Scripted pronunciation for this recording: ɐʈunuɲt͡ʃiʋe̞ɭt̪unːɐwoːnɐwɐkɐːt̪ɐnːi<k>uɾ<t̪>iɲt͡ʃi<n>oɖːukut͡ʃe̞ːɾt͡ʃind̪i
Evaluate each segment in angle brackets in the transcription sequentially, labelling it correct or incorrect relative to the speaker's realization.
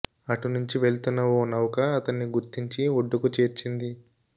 incorrect: ɡ, correct, incorrect: none

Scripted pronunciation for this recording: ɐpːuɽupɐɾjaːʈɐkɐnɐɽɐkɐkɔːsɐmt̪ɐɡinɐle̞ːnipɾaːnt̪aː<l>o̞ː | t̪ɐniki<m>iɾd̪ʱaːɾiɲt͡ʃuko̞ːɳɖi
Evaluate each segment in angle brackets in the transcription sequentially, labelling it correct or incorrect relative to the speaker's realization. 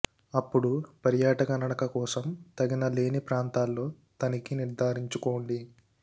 incorrect: lː, incorrect: n

